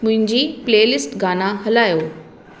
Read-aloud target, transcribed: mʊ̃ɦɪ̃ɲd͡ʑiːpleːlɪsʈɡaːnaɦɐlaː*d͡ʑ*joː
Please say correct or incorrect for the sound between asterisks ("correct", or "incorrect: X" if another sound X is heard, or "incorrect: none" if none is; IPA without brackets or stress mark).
incorrect: none